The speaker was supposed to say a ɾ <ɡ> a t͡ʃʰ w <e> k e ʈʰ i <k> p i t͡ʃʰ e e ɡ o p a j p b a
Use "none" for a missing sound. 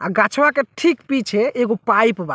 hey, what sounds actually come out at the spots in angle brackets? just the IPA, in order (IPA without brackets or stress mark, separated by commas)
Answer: ɡ, a, k